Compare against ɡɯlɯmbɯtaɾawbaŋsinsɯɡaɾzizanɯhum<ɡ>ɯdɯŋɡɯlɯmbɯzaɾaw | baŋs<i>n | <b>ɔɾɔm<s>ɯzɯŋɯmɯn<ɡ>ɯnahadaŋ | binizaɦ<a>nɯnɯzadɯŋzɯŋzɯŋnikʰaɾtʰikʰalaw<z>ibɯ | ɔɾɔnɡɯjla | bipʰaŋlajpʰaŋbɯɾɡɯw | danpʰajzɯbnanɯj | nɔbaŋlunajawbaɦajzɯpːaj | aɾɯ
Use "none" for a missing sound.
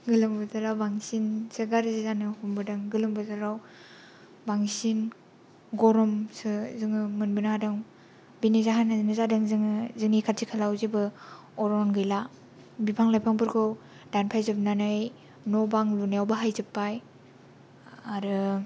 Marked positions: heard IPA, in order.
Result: b, i, ɡ, s, b, a, z

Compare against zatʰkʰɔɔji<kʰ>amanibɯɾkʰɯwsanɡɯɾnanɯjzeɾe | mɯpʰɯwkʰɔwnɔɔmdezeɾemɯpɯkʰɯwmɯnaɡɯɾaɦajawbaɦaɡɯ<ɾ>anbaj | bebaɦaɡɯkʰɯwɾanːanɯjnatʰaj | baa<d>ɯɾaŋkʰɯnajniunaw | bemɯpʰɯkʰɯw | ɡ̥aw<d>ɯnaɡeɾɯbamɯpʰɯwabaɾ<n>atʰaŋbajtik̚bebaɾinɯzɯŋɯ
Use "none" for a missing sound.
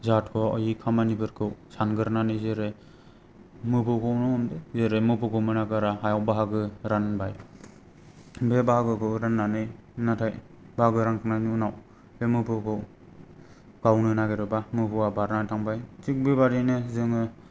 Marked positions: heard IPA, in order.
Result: kʰ, ɾ, ɡ, n, n

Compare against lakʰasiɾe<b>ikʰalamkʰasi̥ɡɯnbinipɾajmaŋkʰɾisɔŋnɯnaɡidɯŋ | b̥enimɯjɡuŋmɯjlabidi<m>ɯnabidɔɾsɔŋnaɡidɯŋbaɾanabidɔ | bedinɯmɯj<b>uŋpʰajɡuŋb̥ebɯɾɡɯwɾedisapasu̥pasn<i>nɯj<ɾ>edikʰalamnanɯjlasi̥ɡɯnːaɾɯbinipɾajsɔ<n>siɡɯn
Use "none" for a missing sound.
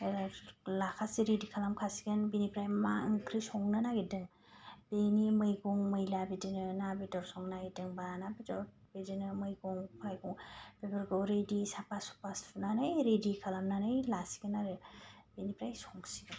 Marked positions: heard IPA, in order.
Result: d, n, ɡ, a, ɾ, ŋ

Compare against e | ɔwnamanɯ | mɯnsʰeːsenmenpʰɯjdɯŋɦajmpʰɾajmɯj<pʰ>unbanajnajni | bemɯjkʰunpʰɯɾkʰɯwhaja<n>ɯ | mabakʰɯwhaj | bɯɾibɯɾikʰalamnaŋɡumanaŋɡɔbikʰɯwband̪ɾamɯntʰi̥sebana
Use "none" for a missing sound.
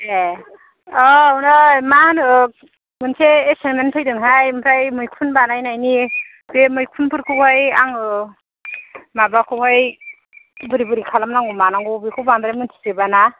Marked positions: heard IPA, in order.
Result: kʰ, ŋ

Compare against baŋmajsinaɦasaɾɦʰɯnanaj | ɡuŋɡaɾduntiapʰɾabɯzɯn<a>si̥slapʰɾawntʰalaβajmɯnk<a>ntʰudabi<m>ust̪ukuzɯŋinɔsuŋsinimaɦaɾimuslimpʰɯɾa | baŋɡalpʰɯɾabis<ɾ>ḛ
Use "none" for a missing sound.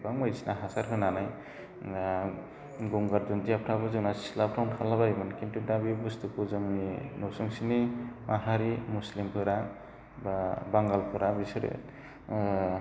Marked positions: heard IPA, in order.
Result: a, i, b, ɾ

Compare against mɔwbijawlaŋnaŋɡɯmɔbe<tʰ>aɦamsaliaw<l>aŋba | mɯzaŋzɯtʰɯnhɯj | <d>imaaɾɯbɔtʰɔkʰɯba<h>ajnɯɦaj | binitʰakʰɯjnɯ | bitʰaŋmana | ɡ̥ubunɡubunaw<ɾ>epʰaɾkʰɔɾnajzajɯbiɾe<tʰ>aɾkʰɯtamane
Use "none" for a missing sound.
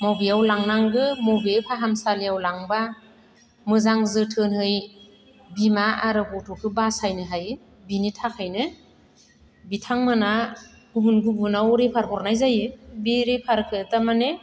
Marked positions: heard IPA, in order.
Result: pʰ, l, b, s, ɾ, pʰ

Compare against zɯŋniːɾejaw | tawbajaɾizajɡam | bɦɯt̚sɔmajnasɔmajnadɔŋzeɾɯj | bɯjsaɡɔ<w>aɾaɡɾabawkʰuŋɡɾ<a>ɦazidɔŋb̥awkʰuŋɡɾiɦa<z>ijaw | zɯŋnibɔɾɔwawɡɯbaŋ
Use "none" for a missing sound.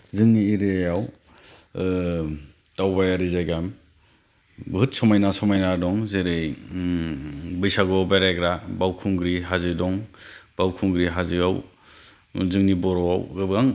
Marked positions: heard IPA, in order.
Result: b, i, z

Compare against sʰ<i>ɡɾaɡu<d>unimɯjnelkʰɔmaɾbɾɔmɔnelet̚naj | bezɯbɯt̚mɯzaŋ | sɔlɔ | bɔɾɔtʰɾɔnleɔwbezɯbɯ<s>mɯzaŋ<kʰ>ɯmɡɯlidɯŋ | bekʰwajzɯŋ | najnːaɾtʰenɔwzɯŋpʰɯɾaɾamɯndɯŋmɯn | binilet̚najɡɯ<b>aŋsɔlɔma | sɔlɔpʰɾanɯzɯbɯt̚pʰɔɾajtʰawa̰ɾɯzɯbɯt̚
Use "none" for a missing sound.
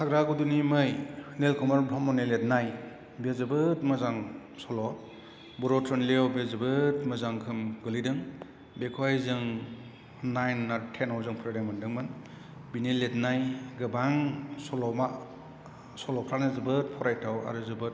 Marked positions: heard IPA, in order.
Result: a, d, t, kʰ, b

